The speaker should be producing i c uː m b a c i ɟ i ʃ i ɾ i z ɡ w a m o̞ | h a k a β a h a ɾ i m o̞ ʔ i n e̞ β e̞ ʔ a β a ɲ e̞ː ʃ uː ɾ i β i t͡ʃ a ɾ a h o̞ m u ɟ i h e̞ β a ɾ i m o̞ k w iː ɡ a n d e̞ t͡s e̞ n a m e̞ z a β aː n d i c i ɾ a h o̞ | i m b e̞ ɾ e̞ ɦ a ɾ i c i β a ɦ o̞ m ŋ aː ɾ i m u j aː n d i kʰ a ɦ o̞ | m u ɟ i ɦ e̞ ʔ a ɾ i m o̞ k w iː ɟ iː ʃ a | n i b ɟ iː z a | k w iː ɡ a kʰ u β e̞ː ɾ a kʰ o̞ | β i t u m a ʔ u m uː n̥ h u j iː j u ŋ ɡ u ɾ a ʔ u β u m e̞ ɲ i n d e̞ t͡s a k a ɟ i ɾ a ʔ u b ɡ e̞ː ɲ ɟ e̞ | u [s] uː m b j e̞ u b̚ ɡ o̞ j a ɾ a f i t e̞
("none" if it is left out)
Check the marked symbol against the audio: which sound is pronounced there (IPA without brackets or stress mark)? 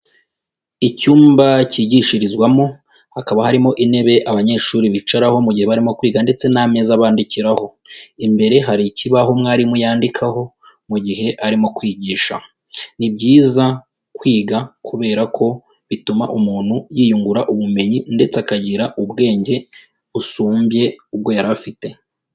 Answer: s